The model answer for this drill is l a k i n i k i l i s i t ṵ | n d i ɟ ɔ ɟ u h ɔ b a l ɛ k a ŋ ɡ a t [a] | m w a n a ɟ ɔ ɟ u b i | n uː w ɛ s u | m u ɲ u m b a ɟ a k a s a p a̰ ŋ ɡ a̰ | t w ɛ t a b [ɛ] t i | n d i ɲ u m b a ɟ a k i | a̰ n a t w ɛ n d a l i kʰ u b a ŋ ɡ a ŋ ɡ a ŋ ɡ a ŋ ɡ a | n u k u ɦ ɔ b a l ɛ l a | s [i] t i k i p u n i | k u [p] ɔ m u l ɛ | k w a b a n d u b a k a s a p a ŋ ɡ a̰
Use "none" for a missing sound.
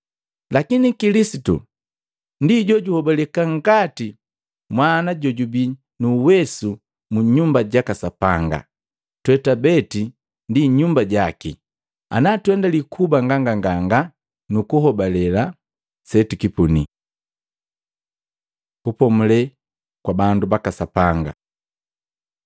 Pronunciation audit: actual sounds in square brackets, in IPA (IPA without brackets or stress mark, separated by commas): i, ɛ, ɛ, p